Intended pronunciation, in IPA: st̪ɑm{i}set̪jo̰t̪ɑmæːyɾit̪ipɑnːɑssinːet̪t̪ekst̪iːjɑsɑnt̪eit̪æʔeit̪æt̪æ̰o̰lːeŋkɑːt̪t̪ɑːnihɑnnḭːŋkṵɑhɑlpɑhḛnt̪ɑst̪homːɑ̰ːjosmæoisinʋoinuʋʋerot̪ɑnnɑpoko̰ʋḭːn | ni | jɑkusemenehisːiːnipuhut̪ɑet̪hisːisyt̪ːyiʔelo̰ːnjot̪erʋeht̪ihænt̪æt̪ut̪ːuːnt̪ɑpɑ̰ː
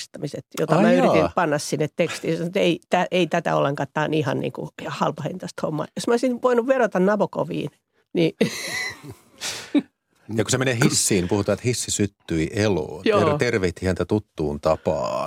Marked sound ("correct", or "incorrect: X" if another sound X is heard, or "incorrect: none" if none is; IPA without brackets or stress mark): correct